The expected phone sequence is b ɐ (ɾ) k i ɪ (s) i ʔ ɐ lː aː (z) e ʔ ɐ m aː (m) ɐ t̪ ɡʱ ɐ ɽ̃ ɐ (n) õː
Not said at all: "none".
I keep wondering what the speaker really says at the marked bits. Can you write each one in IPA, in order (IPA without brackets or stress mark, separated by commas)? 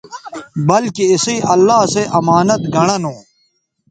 l, s, s, n, n